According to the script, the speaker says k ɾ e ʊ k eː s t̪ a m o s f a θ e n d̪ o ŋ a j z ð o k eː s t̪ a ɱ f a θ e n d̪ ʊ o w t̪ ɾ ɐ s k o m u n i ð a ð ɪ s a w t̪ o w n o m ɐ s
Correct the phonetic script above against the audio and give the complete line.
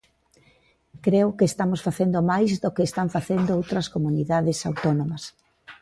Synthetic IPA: k ɾ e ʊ k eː s t̪ a m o s f a θ e n d̪ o m a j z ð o k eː s t̪ a ɱ f a θ e n d̪ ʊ o w t̪ ɾ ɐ s k o m u n i ð a ð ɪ s a w t̪ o n o m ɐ s